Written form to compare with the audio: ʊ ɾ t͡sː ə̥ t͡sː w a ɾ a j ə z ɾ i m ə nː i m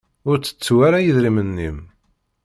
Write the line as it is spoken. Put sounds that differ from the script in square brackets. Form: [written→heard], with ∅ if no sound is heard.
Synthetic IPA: ʊ ɾ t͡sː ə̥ t͡sː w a ɾ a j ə [z→ð] ɾ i m ə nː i m